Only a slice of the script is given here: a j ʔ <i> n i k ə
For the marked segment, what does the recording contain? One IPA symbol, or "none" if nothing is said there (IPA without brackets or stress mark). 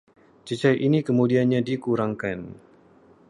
i